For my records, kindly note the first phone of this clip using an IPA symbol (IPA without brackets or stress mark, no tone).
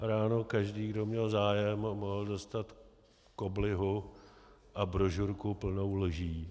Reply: ɾ